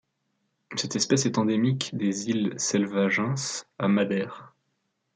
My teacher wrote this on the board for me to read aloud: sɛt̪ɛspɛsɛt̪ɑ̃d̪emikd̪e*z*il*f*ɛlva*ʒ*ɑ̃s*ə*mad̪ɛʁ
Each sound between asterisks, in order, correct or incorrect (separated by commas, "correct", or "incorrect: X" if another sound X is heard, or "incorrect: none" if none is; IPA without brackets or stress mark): correct, incorrect: s, correct, incorrect: a